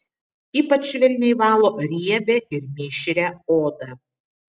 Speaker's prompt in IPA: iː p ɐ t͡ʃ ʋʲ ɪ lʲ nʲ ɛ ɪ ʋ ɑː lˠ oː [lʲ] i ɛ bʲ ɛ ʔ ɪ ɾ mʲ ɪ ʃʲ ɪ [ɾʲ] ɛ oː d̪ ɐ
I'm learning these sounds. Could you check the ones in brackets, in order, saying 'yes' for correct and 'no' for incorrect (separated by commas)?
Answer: no, yes